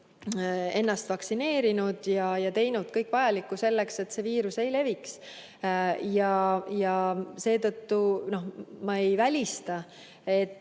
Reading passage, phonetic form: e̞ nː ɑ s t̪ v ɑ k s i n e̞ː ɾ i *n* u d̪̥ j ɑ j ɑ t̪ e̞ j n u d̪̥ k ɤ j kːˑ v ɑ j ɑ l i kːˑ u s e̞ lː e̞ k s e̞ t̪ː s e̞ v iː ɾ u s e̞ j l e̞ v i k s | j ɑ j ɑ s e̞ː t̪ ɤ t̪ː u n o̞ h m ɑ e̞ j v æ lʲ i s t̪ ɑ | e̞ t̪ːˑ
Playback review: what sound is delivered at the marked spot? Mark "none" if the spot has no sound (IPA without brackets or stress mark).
n